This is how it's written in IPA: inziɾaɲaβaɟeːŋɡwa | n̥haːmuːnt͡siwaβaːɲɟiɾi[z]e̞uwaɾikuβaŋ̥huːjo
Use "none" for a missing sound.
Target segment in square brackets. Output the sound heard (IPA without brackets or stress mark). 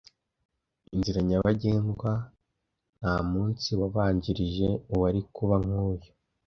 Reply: ʒ